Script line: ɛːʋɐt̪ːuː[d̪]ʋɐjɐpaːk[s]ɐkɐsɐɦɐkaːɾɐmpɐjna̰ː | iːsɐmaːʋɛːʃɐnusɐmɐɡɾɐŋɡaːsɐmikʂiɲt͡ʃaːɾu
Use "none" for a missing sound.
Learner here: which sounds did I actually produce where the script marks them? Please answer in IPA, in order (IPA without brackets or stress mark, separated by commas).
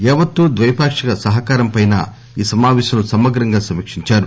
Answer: d̪, ʂ